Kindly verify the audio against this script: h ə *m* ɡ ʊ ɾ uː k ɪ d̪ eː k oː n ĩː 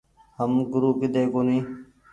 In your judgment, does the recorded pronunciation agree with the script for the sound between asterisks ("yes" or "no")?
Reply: yes